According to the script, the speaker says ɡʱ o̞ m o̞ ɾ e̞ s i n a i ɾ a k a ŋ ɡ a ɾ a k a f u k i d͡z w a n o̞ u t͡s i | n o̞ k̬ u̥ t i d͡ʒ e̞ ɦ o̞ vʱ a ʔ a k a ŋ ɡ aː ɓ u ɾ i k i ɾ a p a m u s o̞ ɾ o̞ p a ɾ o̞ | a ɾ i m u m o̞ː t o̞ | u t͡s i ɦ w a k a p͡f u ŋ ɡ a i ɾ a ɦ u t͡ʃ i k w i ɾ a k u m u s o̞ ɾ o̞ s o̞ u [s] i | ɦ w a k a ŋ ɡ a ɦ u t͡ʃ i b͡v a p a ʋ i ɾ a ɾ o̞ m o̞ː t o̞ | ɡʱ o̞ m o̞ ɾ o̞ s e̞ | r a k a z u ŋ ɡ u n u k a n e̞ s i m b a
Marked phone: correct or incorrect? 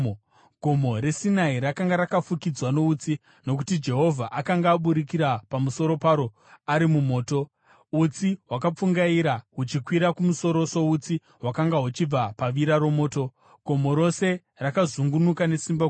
incorrect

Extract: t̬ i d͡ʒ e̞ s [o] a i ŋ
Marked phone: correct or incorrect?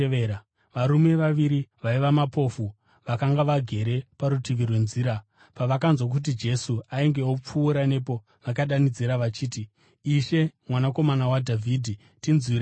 incorrect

